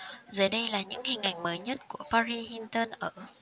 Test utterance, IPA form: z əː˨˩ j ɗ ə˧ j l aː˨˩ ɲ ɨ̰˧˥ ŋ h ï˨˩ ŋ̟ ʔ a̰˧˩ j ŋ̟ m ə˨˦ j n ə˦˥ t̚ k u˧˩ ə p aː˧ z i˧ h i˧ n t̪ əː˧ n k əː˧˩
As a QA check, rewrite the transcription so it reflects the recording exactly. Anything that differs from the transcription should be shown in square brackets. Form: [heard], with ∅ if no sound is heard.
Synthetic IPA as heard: z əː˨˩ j ɗ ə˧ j l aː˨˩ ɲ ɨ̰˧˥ ŋ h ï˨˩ ŋ̟ ʔ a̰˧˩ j ŋ̟ m [əː˨˦] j [ɲ] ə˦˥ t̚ k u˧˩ ə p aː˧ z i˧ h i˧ n t̪ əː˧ n [ʔ] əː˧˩

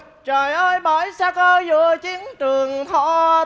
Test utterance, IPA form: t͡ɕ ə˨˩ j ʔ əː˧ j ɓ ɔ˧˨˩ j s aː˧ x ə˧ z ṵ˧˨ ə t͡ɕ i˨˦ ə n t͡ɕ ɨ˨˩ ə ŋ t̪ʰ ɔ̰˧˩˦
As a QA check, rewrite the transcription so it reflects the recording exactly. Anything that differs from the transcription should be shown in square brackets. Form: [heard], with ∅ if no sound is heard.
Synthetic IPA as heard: t͡ɕ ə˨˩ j ʔ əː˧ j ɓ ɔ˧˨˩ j s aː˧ [k] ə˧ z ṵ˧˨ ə t͡ɕ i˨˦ ə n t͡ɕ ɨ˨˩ ə ŋ t̪ʰ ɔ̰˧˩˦

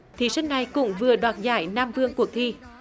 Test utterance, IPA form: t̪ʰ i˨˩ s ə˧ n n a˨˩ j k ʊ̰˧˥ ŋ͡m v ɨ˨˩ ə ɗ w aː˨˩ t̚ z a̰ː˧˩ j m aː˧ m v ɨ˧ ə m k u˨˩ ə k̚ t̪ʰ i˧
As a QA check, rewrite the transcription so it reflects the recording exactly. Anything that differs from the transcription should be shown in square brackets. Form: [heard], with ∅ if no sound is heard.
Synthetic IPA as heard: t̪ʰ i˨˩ s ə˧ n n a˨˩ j k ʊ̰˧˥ ŋ͡m v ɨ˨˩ ə ɗ w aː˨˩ t̚ z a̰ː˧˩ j [n] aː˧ m v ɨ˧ ə [ŋ] k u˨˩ ə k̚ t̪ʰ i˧

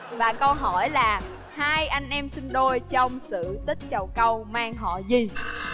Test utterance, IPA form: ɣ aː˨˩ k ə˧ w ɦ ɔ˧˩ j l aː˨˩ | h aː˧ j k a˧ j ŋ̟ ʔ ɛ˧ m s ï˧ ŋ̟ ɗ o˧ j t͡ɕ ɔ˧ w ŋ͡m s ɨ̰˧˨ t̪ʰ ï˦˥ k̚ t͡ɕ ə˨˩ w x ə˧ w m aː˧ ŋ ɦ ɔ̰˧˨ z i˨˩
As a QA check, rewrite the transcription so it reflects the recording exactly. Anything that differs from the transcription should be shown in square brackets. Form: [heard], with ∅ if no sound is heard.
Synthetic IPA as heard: [v] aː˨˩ k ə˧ w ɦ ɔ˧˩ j l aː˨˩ | h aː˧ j [ʔ] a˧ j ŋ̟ ʔ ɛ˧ m s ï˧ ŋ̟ ɗ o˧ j t͡ɕ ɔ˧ w ŋ͡m s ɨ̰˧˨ [t̪] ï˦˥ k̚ t͡ɕ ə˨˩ w [k] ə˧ w m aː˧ ŋ ɦ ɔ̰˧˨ z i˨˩

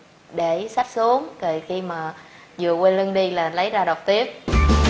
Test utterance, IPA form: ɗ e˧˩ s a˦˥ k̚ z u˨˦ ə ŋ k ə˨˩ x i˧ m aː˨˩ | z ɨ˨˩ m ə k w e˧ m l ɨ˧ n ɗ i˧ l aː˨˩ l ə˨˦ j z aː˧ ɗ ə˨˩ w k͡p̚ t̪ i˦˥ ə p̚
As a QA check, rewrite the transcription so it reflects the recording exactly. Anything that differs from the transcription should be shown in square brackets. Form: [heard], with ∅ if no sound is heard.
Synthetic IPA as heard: ɗ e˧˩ s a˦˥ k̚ [s] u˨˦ ə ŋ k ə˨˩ x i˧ m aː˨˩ | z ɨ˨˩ [∅] ə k w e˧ [n] l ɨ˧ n ɗ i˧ l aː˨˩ l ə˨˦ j z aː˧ ɗ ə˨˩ w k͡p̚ t̪ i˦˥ ə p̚

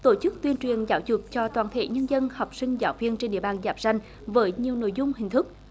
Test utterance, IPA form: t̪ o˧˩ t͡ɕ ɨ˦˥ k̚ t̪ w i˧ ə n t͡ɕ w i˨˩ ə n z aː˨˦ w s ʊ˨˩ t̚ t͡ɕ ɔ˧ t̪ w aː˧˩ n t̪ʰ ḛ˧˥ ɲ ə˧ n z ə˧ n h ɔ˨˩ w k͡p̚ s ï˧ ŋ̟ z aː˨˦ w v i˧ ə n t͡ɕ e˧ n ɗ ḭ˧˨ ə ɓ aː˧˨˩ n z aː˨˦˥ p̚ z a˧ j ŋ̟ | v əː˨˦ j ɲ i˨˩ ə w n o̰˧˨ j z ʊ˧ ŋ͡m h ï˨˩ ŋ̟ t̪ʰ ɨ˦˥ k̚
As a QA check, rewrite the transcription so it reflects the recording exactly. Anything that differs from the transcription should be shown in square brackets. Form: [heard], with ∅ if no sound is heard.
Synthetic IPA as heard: t̪ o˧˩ t͡ɕ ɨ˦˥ k̚ t̪ w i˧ ə n t͡ɕ w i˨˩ ə n z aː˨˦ w [z] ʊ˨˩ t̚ t͡ɕ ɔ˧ t̪ w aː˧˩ n t̪ʰ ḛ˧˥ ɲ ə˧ n z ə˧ n h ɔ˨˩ w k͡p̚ s ï˧ ŋ̟ z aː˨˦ w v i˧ ə n t͡ɕ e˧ n ɗ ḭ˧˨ ə ɓ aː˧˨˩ n z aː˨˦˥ p̚ z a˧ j ŋ̟ | v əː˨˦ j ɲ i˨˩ ə w n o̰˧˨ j z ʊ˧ ŋ͡m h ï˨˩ ŋ̟ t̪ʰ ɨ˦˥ k̚

